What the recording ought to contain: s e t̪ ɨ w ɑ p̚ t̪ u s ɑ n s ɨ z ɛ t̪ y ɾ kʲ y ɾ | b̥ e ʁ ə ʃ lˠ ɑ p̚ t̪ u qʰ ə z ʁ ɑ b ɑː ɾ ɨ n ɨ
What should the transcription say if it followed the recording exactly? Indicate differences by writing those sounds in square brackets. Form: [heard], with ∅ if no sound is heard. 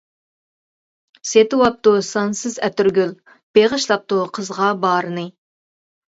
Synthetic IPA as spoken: s e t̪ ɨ w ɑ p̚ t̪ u s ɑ n s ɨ z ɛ t̪ y ɾ [ɡʲ] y [l] | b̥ e ʁ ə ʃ lˠ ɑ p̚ t̪ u qʰ ə z ʁ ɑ b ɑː ɾ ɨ n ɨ